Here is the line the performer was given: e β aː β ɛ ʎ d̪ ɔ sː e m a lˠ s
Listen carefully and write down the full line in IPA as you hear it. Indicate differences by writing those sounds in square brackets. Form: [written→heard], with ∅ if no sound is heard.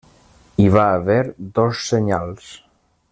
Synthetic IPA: [e→i] β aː β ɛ [ʎ→ɾ] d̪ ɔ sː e [m→ɲ] a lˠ s